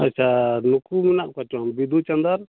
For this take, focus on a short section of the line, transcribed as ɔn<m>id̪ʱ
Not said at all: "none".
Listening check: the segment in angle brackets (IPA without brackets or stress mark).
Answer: b